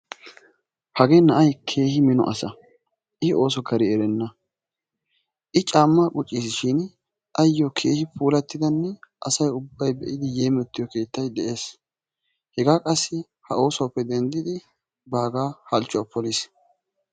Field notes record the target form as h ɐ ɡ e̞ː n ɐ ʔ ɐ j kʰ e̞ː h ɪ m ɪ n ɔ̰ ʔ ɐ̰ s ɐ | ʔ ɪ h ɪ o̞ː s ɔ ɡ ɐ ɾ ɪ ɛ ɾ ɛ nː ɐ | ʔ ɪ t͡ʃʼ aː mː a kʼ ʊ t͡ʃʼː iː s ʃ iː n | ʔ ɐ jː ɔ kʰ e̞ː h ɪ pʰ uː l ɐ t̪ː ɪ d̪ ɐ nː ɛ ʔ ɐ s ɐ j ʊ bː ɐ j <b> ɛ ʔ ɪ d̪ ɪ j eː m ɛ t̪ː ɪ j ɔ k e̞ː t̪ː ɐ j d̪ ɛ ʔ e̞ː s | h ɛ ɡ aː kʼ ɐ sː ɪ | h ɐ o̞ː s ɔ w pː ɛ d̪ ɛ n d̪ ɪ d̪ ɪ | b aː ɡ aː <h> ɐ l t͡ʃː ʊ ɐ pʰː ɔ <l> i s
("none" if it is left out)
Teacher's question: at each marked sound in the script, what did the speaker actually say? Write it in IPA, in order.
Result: b, h, l

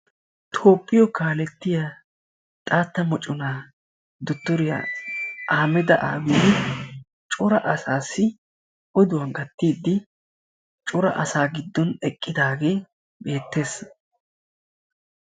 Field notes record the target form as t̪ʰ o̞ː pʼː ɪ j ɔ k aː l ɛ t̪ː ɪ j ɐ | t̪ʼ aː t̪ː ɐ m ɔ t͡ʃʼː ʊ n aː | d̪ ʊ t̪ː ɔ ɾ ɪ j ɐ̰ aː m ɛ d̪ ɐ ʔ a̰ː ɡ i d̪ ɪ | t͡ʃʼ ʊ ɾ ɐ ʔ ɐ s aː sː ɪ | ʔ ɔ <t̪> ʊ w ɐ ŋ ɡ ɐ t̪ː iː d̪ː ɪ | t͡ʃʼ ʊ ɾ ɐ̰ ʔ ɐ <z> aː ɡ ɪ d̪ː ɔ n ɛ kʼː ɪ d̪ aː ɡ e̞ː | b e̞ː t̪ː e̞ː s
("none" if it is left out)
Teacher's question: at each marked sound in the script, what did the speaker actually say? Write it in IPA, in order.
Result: d̪, s

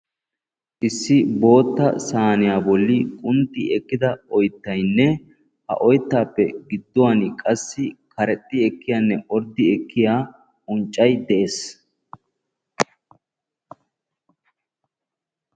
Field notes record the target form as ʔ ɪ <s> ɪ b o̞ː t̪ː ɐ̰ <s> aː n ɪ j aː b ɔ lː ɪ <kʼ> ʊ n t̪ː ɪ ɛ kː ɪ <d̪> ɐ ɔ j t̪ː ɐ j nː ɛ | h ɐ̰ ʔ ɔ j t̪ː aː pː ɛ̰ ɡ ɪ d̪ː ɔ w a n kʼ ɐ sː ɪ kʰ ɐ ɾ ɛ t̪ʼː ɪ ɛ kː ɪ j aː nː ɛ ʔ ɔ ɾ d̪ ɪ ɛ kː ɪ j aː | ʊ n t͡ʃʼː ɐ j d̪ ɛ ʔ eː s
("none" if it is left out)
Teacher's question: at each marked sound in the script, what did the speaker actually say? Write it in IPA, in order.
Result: sː, s, kʼ, d̪

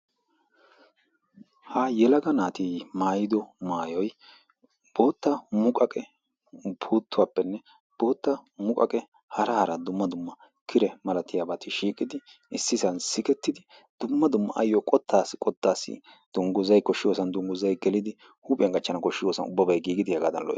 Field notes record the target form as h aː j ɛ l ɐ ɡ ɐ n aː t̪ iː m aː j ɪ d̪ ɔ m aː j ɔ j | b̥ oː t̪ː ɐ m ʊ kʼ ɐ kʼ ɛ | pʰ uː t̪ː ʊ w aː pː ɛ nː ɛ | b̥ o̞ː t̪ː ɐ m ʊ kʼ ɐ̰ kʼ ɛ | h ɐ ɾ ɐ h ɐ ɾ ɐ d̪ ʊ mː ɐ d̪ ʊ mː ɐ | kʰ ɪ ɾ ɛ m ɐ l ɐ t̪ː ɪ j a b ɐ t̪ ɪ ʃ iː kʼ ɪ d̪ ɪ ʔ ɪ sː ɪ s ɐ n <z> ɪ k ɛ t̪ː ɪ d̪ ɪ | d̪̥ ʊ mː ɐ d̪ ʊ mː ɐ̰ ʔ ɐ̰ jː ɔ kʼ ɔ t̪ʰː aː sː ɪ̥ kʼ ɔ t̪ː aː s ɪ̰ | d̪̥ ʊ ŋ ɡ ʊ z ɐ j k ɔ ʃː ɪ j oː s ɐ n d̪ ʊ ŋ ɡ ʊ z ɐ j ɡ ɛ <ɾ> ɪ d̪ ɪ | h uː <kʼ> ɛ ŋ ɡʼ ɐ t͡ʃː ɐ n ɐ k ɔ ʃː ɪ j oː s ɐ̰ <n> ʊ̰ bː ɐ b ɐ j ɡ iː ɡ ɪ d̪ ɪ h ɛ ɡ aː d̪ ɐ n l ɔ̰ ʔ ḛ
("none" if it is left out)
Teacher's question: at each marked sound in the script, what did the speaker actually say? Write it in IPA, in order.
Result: s, l, pʼ, n

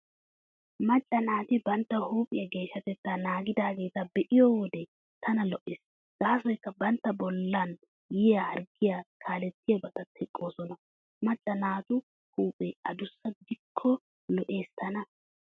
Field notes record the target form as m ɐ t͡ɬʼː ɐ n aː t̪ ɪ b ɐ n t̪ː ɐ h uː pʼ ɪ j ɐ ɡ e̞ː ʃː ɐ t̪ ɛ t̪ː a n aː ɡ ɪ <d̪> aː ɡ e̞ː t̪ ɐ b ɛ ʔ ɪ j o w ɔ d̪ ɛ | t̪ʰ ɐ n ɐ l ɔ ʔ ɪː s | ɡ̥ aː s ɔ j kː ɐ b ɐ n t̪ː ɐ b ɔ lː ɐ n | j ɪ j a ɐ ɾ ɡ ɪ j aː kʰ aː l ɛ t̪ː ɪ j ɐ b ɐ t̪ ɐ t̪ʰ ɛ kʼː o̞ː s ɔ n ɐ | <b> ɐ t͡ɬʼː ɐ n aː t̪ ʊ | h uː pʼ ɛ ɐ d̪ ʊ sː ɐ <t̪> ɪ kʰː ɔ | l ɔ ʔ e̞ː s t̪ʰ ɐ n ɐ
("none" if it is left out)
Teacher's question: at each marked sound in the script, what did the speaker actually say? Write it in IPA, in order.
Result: d̪, m, d̪

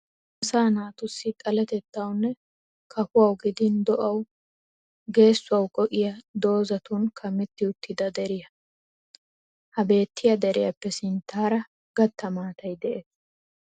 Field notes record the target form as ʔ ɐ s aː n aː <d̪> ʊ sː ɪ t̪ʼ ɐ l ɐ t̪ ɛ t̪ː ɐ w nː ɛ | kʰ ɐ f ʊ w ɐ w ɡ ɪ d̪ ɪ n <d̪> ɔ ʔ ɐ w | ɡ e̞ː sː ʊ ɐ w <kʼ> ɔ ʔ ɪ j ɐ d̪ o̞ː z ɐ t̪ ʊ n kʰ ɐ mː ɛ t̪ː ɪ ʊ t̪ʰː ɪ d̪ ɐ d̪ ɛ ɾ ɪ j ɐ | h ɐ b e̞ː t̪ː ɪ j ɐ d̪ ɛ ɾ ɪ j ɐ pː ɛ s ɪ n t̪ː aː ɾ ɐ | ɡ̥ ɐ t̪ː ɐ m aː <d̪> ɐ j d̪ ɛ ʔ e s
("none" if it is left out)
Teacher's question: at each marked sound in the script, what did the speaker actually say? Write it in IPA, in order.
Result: t̪, d̪, kʼ, t̪

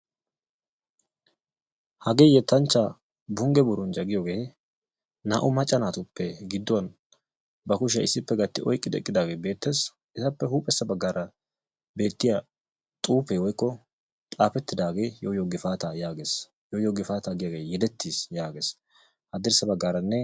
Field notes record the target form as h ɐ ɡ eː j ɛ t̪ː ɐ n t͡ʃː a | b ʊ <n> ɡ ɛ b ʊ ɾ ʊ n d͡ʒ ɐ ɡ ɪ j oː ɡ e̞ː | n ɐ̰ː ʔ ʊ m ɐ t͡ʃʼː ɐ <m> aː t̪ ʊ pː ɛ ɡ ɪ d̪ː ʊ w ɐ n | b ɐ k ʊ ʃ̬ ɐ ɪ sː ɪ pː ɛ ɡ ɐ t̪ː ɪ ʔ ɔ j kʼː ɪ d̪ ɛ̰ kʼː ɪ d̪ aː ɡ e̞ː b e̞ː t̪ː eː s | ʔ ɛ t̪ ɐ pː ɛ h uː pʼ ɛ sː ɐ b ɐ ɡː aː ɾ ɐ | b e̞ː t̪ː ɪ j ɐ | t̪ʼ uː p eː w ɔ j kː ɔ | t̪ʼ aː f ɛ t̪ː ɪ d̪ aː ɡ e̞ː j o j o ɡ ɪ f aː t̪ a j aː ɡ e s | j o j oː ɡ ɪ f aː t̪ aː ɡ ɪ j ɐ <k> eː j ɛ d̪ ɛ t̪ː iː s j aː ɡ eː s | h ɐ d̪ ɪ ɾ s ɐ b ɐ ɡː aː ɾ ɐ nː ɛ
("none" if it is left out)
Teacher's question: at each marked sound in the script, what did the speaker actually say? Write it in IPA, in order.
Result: ŋ, n, ɡ

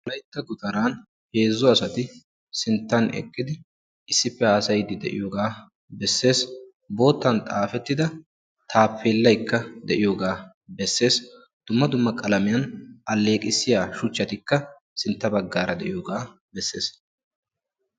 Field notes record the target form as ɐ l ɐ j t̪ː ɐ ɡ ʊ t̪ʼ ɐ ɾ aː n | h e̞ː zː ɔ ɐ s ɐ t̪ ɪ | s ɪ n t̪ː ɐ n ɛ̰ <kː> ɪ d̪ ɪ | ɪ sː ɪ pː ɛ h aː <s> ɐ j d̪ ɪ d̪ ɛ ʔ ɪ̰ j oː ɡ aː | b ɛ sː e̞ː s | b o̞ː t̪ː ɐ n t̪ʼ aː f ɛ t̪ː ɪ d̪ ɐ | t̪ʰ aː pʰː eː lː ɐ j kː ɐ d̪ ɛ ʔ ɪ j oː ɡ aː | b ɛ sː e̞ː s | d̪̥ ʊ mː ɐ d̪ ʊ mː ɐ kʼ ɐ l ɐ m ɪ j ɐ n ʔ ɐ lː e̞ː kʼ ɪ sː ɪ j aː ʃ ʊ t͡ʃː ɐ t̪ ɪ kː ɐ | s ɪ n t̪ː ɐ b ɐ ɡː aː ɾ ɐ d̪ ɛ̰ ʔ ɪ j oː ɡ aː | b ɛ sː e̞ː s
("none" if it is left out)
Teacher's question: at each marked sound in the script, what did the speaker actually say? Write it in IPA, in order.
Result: kʼː, s

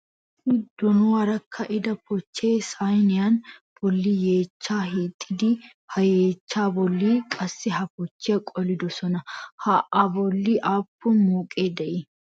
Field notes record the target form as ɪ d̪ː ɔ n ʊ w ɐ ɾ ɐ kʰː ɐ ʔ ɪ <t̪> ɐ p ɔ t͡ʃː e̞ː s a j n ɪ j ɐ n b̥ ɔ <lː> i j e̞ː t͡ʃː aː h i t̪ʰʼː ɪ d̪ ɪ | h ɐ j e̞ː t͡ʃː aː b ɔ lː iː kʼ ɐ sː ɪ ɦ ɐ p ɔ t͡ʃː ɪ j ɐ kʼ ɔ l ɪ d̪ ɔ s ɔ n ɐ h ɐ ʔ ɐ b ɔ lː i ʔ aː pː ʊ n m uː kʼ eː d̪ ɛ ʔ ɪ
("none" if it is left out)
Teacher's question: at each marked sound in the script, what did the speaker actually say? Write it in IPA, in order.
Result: d̪, lː

